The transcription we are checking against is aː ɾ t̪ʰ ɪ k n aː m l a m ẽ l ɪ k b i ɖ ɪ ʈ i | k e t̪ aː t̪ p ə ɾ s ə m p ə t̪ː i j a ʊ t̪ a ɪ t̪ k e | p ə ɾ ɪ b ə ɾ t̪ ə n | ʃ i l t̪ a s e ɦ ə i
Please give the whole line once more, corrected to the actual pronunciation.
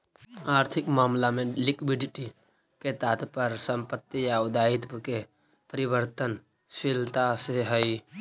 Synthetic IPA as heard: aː ɾ t̪ʰ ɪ k m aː m l a m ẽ l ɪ k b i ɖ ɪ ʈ i | k e t̪ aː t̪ p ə ɾ s ə m p ə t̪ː i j a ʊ d̪ a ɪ t̪ k e | p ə ɾ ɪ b ə ɾ t̪ ə n | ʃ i l t̪ a s e ɦ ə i